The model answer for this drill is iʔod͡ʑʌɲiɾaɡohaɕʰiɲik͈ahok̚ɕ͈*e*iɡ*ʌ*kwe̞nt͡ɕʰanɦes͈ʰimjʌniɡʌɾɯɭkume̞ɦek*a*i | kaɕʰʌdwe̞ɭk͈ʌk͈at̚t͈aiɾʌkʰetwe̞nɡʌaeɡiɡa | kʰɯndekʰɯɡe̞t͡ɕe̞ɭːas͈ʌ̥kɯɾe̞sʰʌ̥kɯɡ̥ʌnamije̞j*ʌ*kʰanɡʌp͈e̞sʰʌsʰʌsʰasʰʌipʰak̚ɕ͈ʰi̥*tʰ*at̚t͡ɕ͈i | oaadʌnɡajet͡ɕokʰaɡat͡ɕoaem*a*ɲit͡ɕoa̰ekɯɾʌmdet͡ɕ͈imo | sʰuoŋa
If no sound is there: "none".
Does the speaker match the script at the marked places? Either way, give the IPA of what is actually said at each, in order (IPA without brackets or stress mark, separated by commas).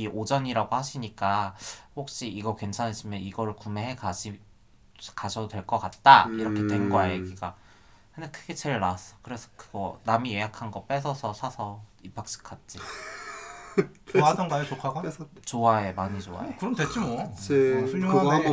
i, ʌ, a, a, kʰ, a